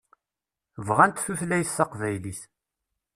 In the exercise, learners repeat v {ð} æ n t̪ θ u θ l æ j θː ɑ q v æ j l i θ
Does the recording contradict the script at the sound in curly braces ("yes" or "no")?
yes